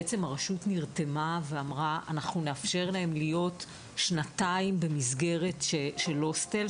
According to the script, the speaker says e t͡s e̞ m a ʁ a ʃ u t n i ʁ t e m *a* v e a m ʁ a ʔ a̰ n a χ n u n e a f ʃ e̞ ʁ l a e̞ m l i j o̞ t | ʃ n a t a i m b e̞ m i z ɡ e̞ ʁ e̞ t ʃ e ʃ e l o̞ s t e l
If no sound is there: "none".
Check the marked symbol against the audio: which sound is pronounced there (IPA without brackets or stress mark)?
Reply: a